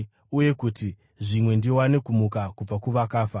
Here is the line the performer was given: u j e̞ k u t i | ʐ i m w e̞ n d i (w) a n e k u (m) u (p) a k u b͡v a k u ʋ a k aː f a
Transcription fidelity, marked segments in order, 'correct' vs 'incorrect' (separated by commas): correct, correct, incorrect